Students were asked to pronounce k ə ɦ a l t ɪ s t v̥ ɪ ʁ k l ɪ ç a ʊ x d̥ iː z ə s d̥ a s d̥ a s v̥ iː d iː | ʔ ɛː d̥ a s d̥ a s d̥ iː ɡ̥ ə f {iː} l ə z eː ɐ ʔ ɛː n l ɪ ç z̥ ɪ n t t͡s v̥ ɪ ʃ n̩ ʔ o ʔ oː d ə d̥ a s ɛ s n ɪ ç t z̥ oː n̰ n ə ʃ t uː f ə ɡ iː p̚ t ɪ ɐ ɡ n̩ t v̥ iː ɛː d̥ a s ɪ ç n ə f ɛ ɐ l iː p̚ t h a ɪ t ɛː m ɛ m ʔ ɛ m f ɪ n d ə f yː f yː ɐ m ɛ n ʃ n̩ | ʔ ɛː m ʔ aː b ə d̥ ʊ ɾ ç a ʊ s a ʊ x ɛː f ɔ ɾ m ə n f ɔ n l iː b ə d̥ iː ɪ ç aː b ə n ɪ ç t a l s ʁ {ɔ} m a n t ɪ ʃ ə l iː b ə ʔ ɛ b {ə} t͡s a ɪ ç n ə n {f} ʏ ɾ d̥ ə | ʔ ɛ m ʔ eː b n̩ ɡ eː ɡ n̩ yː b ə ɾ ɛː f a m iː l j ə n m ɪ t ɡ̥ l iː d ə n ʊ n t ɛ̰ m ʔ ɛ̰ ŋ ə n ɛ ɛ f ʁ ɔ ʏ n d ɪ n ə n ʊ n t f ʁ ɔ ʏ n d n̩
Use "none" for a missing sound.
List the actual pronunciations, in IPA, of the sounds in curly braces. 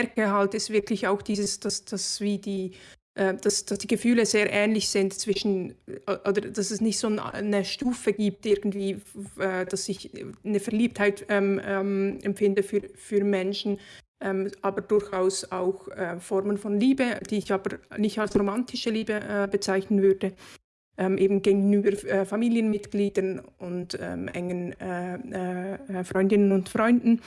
yː, o, ə, v

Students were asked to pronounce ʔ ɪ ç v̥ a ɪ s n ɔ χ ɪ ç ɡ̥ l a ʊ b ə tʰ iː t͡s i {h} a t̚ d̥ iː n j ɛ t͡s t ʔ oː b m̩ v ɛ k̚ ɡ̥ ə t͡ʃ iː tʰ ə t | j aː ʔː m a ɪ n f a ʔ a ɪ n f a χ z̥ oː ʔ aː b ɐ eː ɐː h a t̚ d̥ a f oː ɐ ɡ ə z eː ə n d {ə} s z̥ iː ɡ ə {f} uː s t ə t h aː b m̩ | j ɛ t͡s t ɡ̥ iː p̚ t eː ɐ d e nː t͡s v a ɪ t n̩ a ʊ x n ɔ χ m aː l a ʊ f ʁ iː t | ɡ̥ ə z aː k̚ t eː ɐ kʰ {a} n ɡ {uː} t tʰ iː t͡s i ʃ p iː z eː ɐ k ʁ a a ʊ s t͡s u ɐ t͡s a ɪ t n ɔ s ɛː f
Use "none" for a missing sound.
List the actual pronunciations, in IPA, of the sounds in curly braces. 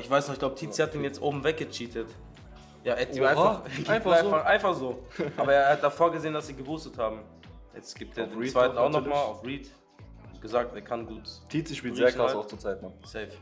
h, a, v, a, uː

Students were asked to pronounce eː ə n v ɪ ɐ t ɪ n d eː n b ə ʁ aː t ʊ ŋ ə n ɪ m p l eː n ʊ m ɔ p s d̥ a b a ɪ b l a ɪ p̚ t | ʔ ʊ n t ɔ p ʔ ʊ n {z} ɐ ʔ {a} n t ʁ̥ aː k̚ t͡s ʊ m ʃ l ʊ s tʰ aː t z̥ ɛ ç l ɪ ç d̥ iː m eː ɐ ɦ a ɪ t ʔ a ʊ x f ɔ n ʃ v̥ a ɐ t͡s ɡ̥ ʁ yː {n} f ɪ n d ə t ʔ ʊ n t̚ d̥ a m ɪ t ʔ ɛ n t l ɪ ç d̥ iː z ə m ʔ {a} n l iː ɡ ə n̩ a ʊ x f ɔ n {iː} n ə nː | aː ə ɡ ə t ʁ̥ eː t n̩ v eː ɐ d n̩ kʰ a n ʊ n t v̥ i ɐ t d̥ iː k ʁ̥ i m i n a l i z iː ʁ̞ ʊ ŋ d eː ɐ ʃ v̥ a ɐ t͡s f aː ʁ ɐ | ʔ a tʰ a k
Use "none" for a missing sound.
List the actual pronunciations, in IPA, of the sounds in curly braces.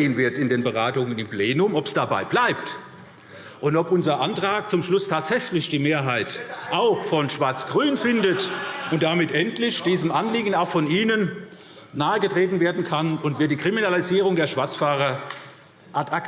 z, a, n, a, iː

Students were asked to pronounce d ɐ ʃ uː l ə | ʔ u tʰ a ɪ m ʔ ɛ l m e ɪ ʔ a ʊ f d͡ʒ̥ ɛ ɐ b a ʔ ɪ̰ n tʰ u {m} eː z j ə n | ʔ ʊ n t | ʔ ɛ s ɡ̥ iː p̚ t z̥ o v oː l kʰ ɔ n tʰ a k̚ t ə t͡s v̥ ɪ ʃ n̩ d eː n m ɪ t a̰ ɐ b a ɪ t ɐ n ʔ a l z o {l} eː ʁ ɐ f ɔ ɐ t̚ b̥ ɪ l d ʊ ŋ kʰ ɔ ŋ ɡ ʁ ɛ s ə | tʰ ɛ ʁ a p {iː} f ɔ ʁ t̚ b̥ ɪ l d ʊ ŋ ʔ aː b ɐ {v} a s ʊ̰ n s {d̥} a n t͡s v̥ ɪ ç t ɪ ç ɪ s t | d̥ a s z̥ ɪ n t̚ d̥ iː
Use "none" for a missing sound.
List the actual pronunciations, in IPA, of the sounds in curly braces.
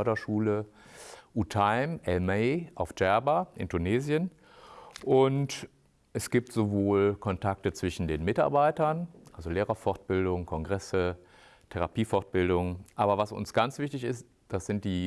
n, l, iː, v, ɡ̥

